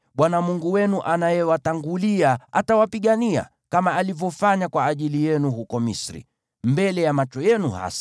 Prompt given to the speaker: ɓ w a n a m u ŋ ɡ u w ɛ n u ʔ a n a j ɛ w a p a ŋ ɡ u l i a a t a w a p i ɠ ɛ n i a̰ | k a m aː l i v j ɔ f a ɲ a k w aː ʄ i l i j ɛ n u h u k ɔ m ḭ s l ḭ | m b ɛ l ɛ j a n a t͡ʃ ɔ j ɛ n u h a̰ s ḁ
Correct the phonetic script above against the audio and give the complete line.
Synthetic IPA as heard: ɓ w a n a m u ŋ ɡ u w ɛ n u ʔ a n a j ɛ w a t a ŋ ɡ u l i a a t a w a p i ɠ a n i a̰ | k a m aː l i v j ɔ f a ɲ a k w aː ʄ i l i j ɛ n u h u k ɔ m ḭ s ɾ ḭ | m b ɛ l ɛ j a m a t͡ʃ ɔ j ɛ n u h a̰ s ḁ

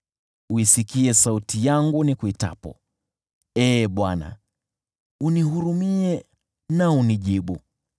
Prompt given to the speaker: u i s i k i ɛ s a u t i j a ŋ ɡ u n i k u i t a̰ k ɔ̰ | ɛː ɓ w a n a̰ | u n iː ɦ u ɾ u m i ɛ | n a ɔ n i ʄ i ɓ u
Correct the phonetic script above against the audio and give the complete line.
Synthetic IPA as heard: u i s i k i ɛ s a u t i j a ŋ ɡ u n i k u i t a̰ p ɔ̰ | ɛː ɓ w a n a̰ | u n i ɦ u ɾ u m i ɛ | n a u n i ʄ i ɓ u

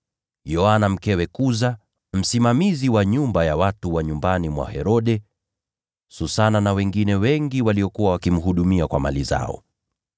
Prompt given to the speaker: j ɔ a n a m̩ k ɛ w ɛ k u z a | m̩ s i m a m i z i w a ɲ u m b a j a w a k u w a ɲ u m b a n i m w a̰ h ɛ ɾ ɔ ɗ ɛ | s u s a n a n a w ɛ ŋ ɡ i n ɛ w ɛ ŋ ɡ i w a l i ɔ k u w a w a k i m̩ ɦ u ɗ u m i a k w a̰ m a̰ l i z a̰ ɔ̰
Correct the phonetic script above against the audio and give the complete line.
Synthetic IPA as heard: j ɔ a n a m̩ k ɛ w ɛ k u z a | m̩ s i m a m i z i w a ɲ u m b a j a w a t u w a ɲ u m b a n i m w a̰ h ɛ ɾ ɔ ɗ ɛ | s u s a n a n a w ɛ ŋ ɡ i n ɛ w ɛ ŋ ɡ i w a l i ɔ k u w a w a k i m̩ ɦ u ɗ u m i a k w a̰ m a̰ l i z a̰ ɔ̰

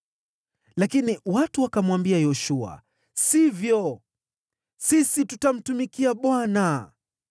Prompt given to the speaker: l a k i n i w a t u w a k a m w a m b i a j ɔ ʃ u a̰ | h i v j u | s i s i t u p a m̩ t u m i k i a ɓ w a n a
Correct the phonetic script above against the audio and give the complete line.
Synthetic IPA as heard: l a k i n i w a t u w a k a m w a m b i a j ɔ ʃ u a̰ | s i v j ɔ | s i s i t u t a m̩ t u m i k i a ɓ w a n a

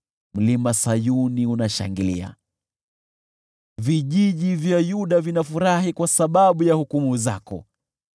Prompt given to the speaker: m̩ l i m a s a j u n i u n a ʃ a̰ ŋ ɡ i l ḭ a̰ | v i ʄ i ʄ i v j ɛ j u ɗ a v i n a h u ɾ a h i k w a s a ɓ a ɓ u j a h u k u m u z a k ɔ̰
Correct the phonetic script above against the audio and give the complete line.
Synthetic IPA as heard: m̩ l i m a s a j u n i u n a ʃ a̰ ŋ ɡ i l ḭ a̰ | v i ʄ i ʄ i v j a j u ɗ a v i n a f u ɾ a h i k w a s a ɓ a ɓ u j a h u k u m u z a k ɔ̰

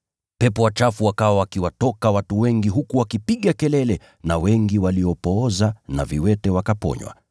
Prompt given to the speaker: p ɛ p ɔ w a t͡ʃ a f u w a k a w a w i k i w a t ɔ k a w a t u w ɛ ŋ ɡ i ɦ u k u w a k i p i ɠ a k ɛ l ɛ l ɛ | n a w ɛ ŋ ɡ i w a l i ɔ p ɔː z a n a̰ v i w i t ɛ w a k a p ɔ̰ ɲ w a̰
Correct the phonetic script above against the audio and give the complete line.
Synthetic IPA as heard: p ɛ p ɔ w a t͡ʃ a f u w a k a w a w a k i w a t ɔ k a w a t u w ɛ ŋ ɡ i ɦ u k u w a k i p i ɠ a k ɛ l ɛ l ɛ | n a w ɛ ŋ ɡ i w a l i ɔ p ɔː z a n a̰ v i w ɛ t ɛ w a k a p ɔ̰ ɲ w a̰

